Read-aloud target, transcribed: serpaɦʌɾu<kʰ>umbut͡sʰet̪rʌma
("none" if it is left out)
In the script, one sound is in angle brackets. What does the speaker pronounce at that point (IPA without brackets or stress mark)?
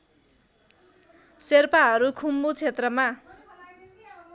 kʰ